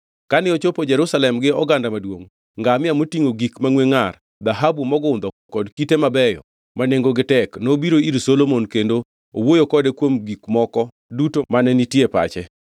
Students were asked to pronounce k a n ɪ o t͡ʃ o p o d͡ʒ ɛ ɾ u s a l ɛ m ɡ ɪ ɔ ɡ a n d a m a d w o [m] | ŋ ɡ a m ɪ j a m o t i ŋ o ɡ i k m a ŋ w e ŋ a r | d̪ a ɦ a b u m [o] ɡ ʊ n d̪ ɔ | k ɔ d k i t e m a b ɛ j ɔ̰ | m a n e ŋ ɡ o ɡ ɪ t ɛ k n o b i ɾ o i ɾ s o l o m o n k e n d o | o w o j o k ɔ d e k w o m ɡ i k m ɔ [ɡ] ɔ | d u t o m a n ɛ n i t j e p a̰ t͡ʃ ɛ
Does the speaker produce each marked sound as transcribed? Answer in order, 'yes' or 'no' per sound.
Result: no, no, no

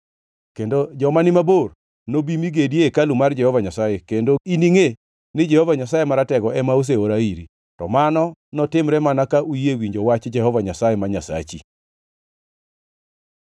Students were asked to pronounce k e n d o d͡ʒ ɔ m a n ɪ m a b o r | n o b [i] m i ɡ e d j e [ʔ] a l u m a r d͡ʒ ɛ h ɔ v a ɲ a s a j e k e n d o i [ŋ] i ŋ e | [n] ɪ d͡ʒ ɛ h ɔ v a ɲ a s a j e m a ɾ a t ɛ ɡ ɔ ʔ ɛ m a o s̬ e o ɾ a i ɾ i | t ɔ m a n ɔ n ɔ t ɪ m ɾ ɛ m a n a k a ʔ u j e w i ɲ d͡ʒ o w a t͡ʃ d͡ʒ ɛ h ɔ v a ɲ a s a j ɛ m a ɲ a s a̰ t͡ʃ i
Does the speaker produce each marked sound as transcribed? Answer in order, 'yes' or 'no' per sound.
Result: yes, no, no, yes

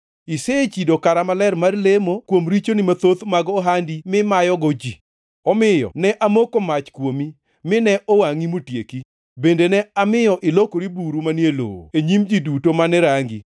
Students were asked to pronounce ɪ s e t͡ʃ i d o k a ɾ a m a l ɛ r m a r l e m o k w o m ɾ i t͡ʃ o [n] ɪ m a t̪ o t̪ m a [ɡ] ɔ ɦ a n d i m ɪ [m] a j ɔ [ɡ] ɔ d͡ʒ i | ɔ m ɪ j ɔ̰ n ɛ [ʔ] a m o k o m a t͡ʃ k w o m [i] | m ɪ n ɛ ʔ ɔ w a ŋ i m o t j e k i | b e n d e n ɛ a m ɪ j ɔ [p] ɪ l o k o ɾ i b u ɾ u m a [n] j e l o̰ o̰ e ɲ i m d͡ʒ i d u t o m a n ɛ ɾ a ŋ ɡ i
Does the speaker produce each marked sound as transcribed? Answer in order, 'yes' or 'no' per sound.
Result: yes, yes, yes, yes, yes, yes, no, yes

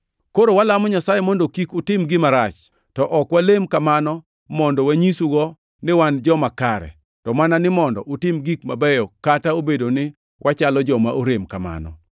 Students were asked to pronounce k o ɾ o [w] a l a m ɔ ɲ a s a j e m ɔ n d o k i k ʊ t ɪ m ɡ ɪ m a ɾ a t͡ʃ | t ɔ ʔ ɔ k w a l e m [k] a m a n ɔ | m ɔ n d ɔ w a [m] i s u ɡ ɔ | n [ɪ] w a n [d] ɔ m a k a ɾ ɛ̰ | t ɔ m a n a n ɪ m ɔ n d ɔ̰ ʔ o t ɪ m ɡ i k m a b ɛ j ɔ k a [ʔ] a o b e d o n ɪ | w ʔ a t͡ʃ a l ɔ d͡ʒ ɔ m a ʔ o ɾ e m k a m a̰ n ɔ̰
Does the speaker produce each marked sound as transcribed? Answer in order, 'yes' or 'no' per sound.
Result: yes, yes, no, yes, no, no

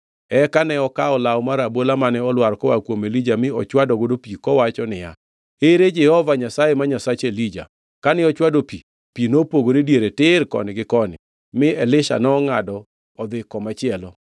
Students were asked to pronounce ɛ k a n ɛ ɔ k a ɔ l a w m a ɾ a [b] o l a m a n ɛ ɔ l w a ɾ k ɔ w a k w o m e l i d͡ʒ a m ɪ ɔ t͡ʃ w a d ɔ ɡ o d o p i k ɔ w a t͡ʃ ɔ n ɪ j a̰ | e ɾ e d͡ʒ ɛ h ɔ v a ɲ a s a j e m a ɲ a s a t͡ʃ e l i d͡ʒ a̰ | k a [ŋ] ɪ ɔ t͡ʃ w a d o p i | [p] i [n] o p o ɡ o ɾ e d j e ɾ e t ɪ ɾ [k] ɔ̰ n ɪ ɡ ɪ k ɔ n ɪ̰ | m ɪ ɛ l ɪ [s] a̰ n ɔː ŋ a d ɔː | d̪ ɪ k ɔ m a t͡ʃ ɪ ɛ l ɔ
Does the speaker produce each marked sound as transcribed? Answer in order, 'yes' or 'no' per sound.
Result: yes, no, yes, yes, yes, no

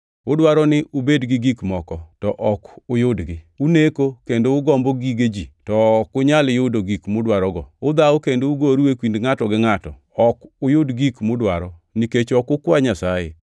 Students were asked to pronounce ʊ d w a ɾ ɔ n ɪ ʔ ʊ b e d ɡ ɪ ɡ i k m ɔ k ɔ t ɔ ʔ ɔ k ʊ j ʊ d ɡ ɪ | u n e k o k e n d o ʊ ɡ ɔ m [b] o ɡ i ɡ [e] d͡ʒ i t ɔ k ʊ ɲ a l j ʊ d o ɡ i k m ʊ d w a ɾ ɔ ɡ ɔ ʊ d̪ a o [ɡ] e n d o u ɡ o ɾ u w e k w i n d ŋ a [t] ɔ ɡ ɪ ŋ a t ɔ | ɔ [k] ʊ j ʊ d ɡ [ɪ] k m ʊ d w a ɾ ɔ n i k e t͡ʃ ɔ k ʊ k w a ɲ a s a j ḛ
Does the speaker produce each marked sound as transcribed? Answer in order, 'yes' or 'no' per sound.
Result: yes, yes, no, yes, yes, no

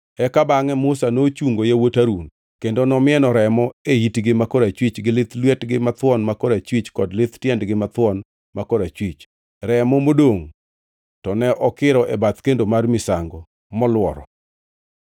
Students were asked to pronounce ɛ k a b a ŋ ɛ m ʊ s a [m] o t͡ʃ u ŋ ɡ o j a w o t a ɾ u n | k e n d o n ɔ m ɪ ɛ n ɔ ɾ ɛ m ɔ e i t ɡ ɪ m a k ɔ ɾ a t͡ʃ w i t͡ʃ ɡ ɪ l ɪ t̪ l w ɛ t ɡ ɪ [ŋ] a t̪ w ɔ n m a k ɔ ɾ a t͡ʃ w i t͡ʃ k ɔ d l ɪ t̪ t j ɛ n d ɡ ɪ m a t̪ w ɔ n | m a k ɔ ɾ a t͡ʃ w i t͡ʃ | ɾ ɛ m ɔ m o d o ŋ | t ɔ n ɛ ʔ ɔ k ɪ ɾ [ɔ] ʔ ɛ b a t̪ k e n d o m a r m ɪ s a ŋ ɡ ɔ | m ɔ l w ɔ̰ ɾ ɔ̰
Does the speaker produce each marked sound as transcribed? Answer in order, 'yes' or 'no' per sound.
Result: no, no, yes

